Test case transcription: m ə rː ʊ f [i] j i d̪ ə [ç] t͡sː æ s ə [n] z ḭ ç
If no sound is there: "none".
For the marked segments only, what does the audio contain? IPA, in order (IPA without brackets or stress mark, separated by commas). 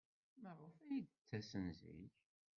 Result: æ, none, n